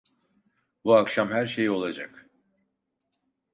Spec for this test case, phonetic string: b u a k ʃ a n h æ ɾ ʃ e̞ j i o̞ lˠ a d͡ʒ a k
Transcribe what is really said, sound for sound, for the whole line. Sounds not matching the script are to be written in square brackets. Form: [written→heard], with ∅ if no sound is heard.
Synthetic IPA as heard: b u a k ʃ a [n→m] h æ ɾ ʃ e̞ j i o̞ lˠ a d͡ʒ a k